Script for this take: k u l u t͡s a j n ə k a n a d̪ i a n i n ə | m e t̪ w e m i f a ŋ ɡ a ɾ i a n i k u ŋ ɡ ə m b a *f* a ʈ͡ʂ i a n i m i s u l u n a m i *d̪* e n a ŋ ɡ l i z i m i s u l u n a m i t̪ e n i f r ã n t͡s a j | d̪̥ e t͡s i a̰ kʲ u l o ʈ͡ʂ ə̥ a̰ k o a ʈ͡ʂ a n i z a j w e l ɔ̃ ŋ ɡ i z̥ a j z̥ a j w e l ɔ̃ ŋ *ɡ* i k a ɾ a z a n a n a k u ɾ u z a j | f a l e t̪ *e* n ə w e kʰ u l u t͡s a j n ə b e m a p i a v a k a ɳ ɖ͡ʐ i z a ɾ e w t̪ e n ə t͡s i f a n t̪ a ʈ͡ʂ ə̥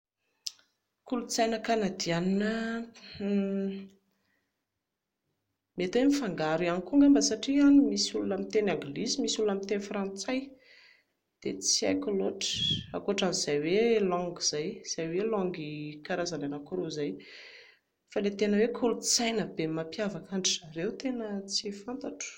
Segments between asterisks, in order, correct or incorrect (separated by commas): incorrect, incorrect, correct, correct